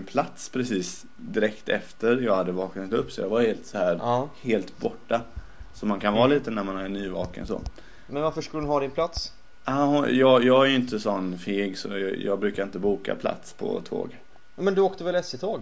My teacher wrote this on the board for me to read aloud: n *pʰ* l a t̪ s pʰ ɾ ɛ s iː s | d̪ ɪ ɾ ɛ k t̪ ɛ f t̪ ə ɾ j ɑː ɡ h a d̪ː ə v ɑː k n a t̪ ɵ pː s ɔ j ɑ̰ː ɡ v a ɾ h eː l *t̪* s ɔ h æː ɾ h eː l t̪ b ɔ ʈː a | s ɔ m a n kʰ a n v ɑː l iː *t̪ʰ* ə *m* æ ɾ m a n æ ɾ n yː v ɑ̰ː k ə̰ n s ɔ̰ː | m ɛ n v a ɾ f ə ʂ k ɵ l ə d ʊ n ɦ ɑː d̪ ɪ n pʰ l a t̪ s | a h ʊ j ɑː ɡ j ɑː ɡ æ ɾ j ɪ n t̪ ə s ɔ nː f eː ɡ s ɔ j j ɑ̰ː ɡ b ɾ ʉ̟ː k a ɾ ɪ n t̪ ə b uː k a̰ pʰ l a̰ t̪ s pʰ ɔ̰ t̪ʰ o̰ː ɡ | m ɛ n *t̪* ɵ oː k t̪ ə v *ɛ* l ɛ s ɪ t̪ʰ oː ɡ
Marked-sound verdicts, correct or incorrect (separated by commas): correct, correct, incorrect, incorrect, incorrect, correct